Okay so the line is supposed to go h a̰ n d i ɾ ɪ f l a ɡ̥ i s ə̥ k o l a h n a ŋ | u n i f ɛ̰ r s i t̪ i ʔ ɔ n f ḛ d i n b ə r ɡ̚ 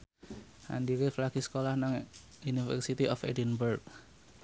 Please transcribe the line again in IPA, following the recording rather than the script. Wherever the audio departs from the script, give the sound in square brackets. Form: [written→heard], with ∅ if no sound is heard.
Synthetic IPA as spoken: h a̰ n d i ɾ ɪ f l a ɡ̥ i s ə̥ k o l a h n a ŋ | u n i f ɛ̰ r s i t̪ i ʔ ɔ [n→∅] f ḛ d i n b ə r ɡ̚